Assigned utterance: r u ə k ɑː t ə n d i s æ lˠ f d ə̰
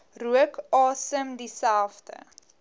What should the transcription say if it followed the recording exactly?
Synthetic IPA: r u ə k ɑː s ə m d i s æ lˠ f d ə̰